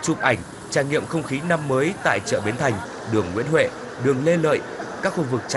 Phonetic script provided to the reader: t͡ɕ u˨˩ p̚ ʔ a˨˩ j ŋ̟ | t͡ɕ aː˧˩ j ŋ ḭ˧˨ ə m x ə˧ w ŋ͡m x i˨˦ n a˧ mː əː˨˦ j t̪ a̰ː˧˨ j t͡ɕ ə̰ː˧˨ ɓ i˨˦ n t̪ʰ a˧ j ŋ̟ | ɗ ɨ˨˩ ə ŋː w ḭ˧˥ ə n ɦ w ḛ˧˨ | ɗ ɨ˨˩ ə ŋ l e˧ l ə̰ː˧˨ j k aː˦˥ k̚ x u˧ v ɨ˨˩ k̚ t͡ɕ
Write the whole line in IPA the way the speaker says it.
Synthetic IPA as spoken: t͡ɕ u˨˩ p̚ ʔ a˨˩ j ŋ̟ | t͡ɕ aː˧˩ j ŋ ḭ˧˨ ə m x ə˧ w ŋ͡m x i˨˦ n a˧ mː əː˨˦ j t̪ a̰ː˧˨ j t͡ɕ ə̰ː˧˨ ɓ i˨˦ n t̪ʰ a˨˩ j ŋ̟ | ɗ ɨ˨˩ ə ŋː w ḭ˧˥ ə n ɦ w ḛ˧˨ | ɗ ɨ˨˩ ə ŋ l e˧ l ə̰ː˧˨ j k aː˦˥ k̚ x u˧ v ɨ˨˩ k̚ t͡ɕ